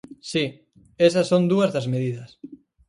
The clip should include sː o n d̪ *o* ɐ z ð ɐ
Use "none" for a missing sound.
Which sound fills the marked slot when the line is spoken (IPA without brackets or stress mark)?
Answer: u